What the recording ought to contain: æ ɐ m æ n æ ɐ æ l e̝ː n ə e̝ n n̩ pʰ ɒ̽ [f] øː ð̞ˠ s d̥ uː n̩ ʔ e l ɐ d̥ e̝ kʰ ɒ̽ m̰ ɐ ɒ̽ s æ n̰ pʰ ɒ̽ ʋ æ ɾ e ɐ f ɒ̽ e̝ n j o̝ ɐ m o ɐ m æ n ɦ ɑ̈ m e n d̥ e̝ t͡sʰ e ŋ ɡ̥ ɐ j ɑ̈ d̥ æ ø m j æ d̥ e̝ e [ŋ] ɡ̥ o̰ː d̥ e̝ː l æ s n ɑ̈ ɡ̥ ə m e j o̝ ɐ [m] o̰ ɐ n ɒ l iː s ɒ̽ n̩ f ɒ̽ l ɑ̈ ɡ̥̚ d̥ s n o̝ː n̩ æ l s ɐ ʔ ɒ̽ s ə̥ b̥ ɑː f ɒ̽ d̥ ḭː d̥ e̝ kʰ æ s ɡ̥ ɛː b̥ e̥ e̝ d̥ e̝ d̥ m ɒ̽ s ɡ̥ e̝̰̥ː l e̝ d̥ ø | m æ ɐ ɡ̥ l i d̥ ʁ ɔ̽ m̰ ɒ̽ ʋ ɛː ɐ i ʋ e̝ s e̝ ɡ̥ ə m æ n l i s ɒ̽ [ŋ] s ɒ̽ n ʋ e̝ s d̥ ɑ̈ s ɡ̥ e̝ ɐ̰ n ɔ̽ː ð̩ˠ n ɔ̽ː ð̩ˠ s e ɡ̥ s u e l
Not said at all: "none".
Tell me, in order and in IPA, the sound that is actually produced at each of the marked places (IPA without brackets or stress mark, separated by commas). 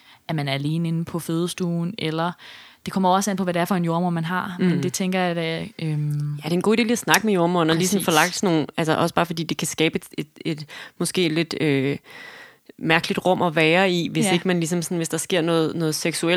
f, n, m, m